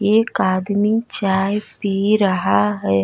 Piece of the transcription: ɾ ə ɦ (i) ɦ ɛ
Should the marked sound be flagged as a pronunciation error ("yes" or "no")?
yes